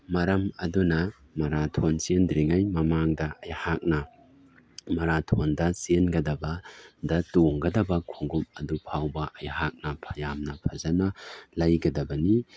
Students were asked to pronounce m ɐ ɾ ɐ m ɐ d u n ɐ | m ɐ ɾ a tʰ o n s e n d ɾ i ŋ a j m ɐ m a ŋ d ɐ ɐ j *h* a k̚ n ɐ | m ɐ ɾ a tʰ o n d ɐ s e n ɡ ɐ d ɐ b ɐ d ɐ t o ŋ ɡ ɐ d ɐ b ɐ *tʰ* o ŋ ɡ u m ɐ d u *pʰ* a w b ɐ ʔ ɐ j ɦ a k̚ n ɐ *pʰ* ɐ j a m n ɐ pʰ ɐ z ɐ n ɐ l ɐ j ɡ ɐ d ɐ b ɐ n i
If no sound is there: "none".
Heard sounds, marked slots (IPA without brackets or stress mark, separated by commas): h, kʰ, pʰ, pʰ